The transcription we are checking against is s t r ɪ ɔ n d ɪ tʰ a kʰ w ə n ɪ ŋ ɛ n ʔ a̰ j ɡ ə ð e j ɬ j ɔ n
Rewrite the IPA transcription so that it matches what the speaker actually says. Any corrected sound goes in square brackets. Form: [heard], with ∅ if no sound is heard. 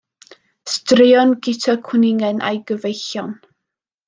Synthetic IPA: s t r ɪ ɔ n [ɡ] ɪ tʰ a kʰ w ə n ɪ ŋ ɛ n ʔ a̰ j ɡ ə [v] e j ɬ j ɔ n